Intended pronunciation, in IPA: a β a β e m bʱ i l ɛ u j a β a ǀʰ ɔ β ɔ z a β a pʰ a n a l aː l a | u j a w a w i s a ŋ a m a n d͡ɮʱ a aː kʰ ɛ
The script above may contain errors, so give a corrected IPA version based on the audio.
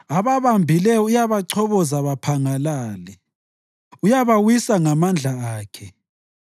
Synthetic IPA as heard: a β a β a m bʱ i l ɛ u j a β a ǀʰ ɔ β ɔ z a β a pʰ a ŋ a l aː l ɛ | u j a β a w i s a ŋ a m a n d͡ɮʱ a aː kʰ ɛ